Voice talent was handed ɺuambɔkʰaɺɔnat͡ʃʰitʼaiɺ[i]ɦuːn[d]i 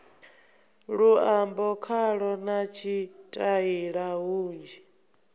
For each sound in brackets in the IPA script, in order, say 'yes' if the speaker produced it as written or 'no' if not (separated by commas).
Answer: no, no